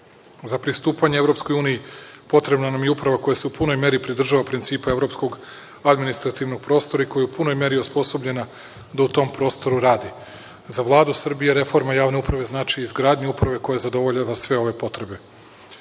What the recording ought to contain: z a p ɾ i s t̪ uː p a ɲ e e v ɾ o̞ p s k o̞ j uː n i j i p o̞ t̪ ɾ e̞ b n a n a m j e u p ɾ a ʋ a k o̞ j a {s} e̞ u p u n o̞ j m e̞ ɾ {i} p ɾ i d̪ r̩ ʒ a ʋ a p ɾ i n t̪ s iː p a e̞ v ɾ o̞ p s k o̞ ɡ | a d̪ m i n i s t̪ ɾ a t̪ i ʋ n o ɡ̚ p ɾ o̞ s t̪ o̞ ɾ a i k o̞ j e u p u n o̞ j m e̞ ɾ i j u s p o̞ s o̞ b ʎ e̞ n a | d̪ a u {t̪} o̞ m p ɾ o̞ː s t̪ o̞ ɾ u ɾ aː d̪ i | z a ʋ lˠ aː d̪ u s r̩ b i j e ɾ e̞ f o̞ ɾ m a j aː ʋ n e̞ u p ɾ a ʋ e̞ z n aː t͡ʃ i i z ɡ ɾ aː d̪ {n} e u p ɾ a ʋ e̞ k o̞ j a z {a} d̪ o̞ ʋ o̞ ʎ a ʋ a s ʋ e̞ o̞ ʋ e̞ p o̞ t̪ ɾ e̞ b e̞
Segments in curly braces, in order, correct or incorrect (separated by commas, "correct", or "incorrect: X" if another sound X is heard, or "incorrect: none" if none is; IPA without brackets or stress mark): correct, correct, correct, incorrect: ɲ, correct